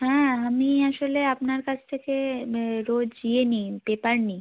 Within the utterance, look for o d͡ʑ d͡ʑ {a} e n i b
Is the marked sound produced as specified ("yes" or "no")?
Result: no